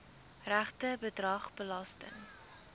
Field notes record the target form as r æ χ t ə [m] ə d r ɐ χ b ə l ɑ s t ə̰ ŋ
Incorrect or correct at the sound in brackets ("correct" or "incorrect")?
incorrect